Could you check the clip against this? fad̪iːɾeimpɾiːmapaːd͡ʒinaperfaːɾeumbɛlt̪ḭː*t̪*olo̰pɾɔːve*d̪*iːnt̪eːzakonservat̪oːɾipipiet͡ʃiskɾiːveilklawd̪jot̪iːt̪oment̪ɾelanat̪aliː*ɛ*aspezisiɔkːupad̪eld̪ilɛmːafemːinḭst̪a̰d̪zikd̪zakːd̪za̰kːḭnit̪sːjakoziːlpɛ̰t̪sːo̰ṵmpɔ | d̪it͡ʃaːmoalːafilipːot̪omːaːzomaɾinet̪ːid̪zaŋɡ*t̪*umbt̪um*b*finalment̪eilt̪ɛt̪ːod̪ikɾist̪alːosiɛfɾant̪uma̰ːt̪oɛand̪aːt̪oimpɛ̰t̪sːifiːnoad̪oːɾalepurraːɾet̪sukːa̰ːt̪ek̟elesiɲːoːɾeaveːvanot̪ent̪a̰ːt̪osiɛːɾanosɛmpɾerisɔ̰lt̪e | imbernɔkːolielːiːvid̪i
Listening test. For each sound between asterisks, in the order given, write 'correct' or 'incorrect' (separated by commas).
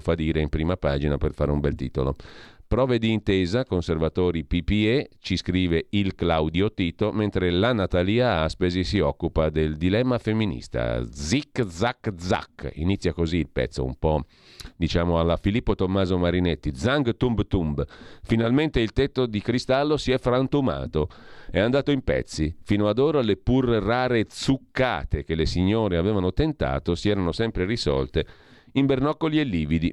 correct, correct, incorrect, correct, correct